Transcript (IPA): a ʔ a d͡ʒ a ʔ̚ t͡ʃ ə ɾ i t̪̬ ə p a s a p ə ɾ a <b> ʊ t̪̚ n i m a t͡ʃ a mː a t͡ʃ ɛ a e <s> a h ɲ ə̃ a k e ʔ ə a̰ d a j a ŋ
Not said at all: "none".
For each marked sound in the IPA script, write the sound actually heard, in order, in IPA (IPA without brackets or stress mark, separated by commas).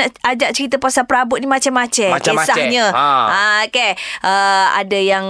b, s